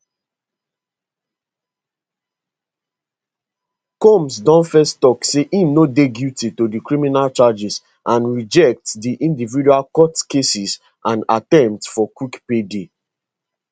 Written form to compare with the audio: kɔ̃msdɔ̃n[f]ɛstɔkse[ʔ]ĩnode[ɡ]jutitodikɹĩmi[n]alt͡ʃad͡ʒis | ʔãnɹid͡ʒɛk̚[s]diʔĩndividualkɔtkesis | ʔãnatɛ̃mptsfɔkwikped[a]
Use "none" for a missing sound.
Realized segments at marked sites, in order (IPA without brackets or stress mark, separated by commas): f, ʔ, ɡ, n, t, e